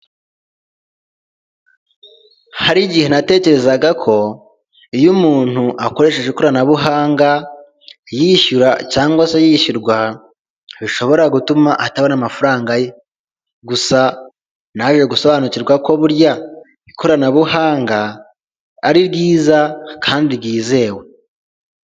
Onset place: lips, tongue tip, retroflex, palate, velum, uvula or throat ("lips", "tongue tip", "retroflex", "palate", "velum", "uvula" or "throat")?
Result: throat